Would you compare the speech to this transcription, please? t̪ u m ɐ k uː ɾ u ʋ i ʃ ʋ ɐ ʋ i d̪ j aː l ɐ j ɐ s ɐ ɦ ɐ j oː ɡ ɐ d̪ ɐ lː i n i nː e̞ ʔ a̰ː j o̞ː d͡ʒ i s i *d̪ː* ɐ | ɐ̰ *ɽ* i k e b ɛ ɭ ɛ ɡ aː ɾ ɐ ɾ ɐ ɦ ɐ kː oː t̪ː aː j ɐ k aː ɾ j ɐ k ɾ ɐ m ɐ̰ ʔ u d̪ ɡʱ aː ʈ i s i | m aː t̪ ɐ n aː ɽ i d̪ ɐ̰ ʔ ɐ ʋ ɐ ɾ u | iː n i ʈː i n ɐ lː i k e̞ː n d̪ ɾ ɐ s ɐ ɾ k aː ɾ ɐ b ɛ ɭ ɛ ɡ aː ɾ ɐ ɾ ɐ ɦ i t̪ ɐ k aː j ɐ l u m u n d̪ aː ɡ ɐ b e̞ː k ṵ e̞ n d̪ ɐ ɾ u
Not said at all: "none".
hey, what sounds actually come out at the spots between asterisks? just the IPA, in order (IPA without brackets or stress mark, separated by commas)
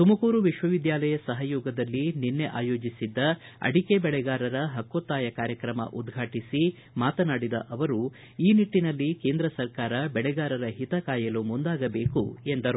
d̪ː, ɽ